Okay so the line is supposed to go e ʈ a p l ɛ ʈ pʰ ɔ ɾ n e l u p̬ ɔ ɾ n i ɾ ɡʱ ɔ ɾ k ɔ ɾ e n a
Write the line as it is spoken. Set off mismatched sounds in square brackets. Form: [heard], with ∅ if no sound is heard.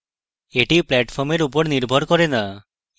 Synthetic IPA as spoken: e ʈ [i] p l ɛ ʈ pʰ ɔ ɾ [m] e [ɾ] u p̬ ɔ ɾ n i ɾ [bʱ] ɔ ɾ k ɔ ɾ e n a